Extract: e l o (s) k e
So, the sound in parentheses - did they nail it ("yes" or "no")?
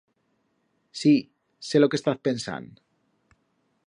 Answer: no